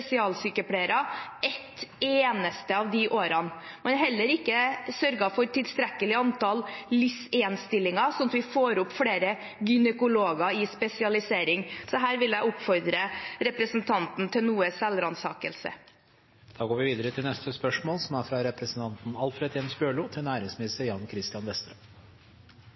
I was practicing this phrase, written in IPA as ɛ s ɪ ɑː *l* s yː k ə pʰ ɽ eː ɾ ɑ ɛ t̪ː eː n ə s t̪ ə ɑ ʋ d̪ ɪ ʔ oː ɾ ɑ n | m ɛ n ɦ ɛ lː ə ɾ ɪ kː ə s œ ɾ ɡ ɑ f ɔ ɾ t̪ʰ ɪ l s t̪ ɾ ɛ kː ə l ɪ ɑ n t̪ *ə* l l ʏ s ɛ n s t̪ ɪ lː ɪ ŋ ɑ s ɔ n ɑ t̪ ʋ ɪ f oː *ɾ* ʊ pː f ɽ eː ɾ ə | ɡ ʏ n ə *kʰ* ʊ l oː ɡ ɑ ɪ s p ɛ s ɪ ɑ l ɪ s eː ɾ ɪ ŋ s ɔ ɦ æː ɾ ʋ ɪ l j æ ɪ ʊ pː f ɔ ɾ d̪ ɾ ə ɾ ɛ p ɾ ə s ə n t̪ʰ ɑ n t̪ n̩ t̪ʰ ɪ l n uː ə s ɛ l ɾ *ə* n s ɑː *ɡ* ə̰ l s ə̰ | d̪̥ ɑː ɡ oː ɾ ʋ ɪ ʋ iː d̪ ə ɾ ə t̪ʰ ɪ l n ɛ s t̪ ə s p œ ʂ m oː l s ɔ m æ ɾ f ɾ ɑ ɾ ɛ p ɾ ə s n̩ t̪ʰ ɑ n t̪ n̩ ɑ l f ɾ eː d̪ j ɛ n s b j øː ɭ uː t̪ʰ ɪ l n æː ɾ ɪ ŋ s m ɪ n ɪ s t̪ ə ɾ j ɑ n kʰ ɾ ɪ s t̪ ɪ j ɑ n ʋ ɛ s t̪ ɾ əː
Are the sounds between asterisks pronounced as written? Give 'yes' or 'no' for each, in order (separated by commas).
yes, no, yes, no, no, no